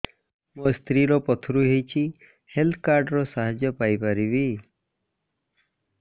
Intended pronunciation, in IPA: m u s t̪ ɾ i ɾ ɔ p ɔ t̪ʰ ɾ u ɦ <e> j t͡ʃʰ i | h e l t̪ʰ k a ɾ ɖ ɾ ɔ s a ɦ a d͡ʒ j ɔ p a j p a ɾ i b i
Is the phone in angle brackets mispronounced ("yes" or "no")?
no